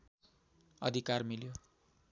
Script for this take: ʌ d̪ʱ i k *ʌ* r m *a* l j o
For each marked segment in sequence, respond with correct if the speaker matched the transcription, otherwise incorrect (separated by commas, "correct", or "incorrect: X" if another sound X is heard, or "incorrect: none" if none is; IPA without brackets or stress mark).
incorrect: a, incorrect: i